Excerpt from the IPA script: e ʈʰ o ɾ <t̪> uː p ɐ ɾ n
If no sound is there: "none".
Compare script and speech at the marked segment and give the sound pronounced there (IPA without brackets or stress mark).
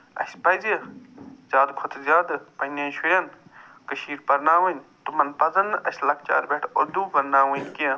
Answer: d̪